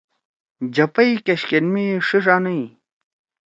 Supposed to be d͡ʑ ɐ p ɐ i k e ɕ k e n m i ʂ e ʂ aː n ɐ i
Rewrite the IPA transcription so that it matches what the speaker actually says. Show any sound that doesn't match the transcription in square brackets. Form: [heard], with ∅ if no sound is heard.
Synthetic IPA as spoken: d͡ʑ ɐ p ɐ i k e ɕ k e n m i ʂ [i] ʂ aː n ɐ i